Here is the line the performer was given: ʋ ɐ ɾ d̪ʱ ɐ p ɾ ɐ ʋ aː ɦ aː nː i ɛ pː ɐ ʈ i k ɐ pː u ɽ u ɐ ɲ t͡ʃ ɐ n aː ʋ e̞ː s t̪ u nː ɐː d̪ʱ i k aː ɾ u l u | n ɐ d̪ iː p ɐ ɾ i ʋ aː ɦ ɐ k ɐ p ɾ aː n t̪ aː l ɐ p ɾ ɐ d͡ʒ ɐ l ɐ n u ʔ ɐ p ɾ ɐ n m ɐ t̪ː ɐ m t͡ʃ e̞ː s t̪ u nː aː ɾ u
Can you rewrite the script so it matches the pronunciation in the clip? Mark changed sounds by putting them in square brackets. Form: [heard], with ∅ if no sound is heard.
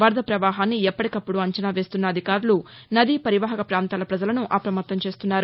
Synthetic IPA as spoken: ʋ ɐ ɾ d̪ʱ ɐ p ɾ ɐ ʋ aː ɦ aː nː i ɛ pː ɐ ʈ i k ɐ pː u ɽ u ɐ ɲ t͡ʃ ɐ n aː ʋ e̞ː s t̪ u nː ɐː d̪ʱ i k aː ɾ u l u | n ɐ d̪ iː p ɐ ɾ i ʋ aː ɦ ɐ k ɐ p ɾ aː n t̪ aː l ɐ p ɾ ɐ d͡ʒ ɐ l ɐ n u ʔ ɐ p ɾ ɐ [∅] m ɐ t̪ː ɐ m t͡ʃ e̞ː s t̪ u nː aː ɾ u